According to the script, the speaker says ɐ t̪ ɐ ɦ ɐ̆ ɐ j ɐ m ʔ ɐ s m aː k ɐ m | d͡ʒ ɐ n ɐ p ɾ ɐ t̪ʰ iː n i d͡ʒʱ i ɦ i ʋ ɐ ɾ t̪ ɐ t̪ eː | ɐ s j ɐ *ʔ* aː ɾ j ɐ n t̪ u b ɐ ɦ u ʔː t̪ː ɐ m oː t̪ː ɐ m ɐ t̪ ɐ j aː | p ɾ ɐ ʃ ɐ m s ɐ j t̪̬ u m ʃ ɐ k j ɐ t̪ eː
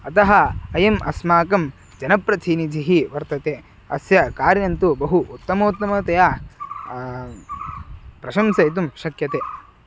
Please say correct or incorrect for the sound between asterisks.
incorrect